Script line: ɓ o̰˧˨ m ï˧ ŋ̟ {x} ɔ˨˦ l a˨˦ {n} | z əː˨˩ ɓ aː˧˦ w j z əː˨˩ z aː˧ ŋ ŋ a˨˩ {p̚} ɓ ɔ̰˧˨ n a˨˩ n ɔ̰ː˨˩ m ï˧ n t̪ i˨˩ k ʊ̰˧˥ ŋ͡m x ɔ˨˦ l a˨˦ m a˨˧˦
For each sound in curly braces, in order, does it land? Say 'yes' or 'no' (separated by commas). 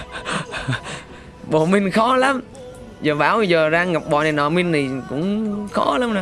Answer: yes, no, yes